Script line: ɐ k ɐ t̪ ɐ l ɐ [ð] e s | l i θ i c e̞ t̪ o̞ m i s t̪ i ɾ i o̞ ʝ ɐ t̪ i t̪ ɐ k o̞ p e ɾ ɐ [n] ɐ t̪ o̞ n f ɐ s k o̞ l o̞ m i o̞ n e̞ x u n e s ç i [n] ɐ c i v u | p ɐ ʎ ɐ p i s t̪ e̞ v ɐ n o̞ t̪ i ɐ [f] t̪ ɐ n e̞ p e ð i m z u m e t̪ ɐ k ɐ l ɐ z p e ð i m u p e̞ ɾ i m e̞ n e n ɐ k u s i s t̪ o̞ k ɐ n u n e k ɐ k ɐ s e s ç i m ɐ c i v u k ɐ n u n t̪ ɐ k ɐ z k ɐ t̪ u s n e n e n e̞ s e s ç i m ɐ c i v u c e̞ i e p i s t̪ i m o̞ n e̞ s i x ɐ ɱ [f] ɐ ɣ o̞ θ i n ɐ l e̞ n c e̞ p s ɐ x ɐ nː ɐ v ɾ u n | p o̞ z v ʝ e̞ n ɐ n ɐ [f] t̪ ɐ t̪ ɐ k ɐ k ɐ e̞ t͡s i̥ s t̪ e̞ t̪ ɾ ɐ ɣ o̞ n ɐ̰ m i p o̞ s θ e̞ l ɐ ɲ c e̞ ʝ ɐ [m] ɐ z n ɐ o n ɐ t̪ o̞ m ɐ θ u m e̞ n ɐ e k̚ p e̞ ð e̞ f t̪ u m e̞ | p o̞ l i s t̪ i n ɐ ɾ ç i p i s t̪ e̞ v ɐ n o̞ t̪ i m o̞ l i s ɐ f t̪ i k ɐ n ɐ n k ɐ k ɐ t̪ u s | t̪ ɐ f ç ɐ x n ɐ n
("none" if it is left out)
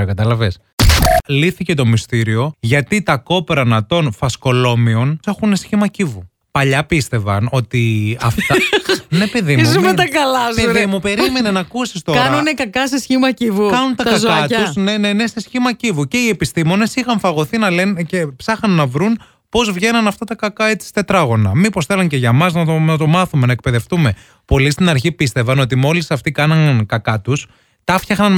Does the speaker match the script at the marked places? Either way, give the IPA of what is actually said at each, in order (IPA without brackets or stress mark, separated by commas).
v, n, m, f, f, f, m